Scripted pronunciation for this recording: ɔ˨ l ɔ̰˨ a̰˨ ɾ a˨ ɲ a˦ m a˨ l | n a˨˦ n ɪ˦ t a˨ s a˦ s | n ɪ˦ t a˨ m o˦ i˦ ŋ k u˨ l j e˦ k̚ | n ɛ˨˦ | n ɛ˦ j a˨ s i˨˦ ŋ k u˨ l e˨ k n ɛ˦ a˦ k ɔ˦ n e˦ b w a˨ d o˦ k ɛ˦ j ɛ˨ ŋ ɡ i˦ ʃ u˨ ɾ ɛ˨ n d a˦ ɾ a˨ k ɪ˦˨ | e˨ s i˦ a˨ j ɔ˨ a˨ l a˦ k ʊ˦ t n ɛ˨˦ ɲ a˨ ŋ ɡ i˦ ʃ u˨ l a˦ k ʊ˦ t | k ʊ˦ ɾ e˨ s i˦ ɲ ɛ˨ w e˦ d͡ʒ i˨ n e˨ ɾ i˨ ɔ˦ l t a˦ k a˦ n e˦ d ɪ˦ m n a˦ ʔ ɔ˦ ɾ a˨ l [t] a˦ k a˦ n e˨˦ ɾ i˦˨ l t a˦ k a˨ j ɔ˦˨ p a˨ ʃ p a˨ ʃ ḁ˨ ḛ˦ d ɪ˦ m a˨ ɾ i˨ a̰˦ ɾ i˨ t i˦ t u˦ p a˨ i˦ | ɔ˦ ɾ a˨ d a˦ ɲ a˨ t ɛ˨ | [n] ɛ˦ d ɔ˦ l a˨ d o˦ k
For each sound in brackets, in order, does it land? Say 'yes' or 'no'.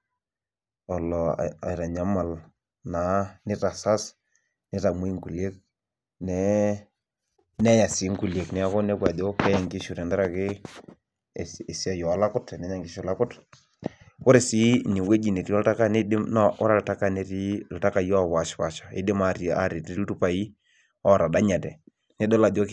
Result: yes, yes

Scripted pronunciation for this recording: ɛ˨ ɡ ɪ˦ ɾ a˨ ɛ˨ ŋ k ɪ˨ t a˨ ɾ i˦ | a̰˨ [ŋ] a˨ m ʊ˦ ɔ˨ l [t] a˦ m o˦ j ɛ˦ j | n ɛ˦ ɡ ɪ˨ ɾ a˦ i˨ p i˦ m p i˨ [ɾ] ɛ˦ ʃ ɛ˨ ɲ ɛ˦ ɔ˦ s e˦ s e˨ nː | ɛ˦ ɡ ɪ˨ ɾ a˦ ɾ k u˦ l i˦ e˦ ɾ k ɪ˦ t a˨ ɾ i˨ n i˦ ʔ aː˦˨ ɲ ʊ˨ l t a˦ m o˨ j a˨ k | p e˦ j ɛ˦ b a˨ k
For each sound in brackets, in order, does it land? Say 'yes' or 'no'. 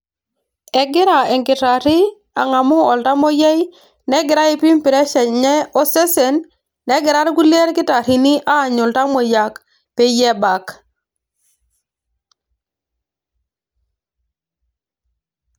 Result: yes, yes, yes

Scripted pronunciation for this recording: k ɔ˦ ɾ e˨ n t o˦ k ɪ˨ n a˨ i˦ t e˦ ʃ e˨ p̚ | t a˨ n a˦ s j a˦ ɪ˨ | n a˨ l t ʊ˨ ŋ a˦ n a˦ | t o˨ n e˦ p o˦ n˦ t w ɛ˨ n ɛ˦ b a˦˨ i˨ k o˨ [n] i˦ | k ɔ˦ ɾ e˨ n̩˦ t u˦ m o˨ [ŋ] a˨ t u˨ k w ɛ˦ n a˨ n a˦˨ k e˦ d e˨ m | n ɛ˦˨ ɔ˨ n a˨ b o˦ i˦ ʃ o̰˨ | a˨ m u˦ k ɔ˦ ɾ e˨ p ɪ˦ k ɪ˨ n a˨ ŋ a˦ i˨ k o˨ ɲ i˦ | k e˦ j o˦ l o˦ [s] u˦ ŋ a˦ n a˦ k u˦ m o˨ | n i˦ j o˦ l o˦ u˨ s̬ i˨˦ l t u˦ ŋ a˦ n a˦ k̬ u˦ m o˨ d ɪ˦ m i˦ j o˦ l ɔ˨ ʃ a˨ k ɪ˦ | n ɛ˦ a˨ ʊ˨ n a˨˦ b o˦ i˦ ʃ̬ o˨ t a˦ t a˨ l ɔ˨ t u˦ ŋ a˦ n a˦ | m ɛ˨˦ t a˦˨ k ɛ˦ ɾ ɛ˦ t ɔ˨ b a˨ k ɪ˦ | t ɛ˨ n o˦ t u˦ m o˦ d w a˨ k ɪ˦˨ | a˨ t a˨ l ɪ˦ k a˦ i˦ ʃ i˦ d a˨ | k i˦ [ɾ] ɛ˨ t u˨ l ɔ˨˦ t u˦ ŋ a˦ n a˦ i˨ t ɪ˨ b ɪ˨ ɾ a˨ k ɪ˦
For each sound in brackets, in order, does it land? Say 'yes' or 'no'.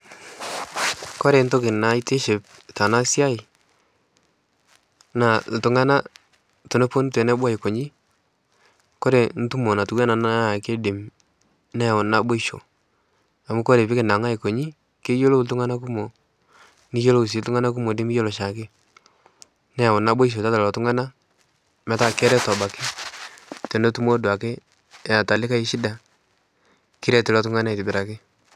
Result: no, no, no, yes

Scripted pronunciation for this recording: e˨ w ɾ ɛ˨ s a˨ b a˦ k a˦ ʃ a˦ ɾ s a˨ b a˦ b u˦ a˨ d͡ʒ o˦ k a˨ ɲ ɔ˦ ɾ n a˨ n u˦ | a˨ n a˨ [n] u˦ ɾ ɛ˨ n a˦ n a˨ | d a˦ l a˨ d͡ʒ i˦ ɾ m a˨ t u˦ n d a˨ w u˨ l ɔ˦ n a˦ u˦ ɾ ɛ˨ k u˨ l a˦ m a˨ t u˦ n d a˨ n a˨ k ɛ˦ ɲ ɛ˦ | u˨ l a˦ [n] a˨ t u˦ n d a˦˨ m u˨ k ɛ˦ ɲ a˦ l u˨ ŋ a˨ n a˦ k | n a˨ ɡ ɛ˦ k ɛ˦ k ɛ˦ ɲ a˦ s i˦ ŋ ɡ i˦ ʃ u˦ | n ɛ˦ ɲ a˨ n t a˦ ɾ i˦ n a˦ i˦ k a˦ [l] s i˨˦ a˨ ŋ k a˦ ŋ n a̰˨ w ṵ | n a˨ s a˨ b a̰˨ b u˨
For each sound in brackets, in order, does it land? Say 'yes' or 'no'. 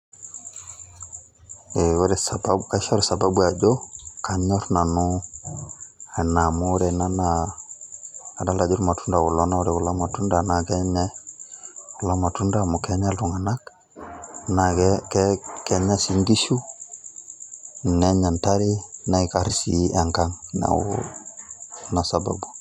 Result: no, no, no

